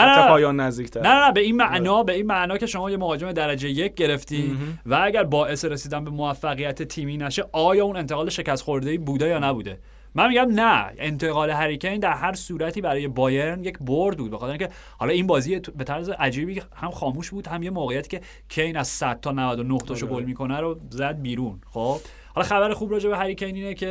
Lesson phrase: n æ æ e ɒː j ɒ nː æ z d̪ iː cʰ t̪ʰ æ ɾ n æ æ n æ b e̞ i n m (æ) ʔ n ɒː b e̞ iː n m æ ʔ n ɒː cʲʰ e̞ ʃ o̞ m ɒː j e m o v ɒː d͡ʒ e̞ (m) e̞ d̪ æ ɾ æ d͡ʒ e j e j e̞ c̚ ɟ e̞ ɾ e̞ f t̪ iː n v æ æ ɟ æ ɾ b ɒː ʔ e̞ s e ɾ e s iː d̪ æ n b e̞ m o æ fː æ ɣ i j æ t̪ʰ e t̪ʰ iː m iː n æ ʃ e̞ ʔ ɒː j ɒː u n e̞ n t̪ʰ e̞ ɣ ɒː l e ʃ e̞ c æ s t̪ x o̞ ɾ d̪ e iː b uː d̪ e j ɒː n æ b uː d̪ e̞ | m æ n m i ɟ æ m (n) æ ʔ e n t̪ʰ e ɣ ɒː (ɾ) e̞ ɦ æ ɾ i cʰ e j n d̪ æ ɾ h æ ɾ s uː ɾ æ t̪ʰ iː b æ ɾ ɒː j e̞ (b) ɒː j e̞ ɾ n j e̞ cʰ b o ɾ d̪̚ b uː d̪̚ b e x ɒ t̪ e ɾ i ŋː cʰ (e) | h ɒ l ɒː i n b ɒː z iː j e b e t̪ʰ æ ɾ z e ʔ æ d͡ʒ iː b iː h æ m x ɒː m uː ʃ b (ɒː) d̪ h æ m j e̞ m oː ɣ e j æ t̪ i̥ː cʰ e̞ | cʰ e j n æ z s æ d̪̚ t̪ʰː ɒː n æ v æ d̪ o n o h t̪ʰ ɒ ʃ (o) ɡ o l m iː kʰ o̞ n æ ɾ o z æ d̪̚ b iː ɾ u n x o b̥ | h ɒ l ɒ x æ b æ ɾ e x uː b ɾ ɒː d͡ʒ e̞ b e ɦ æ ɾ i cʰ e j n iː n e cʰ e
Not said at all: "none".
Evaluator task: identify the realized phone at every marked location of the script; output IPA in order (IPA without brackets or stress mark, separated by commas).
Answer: æ, m, n, l, b, e, uː, o